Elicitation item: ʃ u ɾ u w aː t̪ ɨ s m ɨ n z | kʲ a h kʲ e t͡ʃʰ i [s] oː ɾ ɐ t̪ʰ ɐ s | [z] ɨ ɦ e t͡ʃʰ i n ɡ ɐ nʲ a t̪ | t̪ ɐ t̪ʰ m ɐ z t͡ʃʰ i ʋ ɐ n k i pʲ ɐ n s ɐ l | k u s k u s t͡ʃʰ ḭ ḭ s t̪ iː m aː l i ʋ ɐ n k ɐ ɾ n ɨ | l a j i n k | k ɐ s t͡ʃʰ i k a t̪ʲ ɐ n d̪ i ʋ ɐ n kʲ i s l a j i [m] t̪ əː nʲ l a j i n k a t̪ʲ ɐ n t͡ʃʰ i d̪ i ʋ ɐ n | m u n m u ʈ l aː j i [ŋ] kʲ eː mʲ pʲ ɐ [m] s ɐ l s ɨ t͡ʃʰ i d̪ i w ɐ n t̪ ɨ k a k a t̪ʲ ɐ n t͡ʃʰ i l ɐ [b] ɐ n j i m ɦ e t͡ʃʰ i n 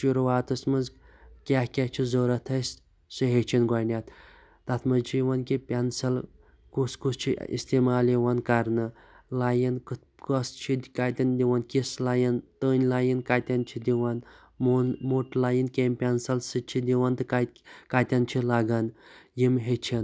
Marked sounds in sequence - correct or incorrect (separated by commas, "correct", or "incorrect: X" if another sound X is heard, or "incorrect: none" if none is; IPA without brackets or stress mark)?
incorrect: z, incorrect: s, incorrect: n, incorrect: n, incorrect: n, incorrect: ɡ